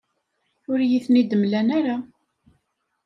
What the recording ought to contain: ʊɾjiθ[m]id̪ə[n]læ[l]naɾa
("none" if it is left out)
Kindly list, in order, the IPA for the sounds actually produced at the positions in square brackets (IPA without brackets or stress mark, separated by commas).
n, m, none